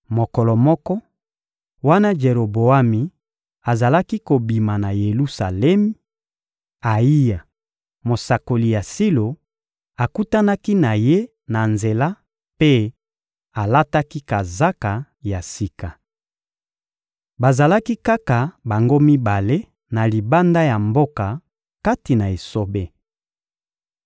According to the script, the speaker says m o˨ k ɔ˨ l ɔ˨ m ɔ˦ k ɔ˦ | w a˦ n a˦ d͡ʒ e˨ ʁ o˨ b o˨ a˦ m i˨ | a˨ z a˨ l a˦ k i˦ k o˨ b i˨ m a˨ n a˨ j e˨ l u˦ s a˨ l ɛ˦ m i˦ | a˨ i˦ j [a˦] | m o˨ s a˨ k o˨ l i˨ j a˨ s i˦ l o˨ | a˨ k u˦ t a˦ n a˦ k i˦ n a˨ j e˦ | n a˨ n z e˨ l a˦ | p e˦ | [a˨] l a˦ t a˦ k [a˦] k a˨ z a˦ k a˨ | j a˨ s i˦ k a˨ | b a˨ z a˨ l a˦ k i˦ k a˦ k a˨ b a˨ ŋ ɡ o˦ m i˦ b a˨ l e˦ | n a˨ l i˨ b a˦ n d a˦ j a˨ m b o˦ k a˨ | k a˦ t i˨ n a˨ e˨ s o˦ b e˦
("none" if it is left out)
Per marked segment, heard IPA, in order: a˨, a˨, i˦

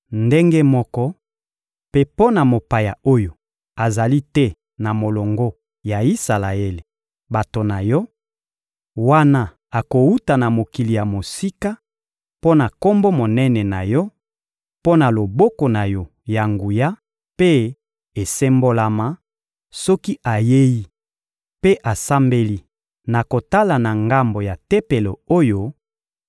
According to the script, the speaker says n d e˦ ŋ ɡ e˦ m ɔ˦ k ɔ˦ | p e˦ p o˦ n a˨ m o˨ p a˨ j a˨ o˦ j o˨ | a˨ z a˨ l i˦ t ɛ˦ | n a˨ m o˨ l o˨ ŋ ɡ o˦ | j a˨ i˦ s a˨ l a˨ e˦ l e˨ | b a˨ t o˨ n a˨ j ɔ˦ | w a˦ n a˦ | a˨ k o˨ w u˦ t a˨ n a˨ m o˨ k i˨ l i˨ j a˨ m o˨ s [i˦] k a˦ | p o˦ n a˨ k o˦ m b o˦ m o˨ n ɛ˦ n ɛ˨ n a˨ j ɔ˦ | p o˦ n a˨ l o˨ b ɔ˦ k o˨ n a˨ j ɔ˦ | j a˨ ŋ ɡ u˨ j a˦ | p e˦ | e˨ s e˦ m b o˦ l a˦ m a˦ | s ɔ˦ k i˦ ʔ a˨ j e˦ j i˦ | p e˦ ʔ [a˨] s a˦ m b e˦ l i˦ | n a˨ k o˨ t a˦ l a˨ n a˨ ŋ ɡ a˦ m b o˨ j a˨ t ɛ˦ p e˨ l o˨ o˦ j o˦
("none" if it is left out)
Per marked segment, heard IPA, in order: i˦, a˨

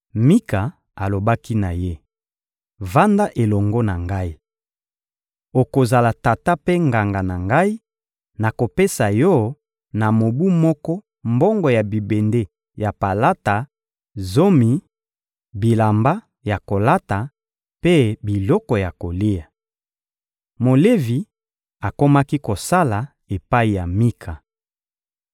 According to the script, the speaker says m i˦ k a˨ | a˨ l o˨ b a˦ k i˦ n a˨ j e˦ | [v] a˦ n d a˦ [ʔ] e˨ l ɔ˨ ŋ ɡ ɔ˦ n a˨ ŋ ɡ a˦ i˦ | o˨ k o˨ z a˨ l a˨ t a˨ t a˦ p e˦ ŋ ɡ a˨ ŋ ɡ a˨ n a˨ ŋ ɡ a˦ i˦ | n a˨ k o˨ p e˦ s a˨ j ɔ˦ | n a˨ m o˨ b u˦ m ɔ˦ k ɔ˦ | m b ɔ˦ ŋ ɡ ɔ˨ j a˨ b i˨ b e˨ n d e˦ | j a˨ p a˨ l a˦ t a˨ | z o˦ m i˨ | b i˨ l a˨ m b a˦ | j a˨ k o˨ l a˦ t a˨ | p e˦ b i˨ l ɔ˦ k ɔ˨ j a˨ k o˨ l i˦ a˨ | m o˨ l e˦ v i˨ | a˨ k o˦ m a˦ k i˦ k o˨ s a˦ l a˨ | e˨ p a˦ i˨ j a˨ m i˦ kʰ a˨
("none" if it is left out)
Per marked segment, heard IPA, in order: v, ʔ

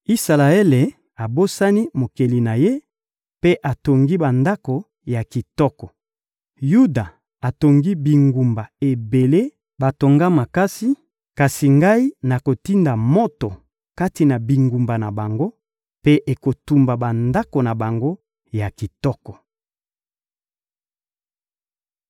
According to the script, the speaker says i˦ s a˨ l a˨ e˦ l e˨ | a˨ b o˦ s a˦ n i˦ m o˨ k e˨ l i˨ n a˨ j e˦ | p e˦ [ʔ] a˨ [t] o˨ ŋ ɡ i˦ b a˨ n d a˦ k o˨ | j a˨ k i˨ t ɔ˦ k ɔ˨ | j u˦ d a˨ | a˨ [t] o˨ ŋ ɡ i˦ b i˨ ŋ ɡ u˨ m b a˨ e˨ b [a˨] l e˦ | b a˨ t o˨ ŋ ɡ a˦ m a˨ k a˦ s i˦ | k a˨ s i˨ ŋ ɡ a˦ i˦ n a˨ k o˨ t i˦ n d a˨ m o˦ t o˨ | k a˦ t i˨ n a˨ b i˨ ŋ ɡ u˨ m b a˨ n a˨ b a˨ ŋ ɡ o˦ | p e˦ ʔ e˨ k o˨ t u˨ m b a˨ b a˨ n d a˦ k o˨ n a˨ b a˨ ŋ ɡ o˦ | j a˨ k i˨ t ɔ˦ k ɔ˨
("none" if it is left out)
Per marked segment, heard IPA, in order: ʔ, t, t, e˨

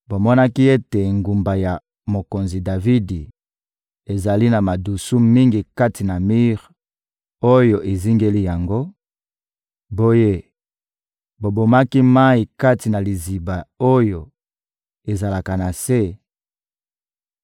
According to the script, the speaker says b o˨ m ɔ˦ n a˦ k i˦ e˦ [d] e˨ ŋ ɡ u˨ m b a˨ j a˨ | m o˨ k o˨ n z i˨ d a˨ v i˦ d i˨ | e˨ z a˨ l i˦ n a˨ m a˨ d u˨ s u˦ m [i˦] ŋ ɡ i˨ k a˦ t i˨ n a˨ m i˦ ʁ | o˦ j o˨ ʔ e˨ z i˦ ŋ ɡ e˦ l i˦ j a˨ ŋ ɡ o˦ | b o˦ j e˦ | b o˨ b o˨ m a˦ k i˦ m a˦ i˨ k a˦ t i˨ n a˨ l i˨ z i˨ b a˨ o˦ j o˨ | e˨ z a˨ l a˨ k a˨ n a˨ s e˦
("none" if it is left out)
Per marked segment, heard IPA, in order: t, i˦

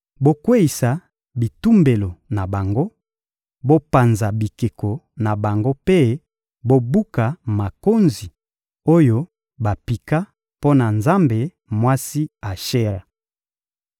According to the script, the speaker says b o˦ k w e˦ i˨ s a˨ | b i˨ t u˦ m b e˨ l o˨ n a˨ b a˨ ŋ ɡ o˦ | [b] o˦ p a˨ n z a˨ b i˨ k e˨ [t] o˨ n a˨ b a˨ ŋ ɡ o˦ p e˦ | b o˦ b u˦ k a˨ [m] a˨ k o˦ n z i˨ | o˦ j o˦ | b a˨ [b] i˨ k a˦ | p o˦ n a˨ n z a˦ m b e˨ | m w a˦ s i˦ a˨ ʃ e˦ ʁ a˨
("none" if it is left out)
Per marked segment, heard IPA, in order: b, k, m, p

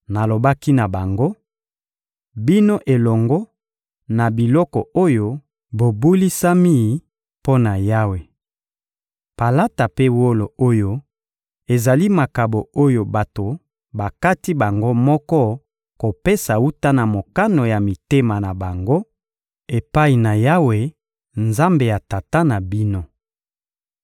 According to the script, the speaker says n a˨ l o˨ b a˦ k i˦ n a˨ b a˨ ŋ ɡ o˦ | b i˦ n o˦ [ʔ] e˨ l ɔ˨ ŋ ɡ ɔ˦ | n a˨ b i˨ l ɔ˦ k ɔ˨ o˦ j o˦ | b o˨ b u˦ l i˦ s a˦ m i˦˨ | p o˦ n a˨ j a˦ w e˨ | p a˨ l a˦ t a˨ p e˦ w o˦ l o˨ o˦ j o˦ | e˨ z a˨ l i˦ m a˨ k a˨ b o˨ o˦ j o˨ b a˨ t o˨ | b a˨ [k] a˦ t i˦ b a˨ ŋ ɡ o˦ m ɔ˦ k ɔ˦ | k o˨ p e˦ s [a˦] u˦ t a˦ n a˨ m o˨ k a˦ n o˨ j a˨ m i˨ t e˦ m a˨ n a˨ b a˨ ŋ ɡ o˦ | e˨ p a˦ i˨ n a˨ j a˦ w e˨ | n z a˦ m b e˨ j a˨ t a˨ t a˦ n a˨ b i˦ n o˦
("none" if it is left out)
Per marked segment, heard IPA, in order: ʔ, k, a˨

